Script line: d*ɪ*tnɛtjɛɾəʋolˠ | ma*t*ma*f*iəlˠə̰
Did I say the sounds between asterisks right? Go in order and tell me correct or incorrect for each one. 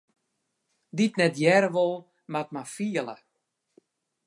incorrect, correct, correct

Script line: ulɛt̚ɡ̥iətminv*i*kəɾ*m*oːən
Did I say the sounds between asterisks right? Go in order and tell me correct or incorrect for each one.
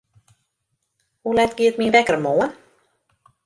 incorrect, correct

